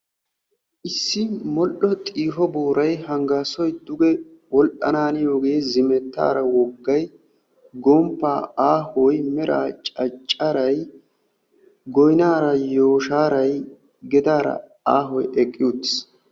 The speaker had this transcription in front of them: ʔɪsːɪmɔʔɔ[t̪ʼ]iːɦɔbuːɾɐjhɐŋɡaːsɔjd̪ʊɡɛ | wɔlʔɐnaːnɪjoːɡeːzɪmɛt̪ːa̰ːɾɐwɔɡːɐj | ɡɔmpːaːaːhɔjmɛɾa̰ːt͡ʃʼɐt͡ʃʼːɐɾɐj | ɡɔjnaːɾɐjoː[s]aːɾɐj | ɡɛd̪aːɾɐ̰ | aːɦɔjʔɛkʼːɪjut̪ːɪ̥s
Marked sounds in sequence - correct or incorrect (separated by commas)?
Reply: correct, incorrect